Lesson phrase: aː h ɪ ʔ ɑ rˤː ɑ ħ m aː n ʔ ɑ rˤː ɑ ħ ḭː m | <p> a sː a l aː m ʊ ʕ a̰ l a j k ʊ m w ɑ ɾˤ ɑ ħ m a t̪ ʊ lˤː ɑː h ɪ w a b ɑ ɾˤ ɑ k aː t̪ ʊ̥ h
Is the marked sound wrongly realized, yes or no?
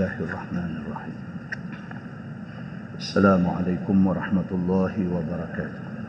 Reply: yes